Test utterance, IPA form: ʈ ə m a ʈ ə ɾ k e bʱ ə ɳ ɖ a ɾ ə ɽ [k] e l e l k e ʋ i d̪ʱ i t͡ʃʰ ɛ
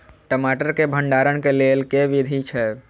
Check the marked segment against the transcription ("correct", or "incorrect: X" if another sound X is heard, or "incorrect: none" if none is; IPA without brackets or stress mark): correct